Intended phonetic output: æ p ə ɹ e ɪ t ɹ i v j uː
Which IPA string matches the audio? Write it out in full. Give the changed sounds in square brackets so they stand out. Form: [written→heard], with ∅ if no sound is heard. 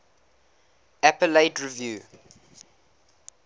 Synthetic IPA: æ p ə [ɹ→l] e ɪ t ɹ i v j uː